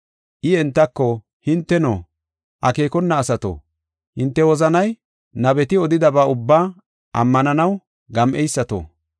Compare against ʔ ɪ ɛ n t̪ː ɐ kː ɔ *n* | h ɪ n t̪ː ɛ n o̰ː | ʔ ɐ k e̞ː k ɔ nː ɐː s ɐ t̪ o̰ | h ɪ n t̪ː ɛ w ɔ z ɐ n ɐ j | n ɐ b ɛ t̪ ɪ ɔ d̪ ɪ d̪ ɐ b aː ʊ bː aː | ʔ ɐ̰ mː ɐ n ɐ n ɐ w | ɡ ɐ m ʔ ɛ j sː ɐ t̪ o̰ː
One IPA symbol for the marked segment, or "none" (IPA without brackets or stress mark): none